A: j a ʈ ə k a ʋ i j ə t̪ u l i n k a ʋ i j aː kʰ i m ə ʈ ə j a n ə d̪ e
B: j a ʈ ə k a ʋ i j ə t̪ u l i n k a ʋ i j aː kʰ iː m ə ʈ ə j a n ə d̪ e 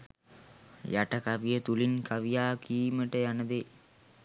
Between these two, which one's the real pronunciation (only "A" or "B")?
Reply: B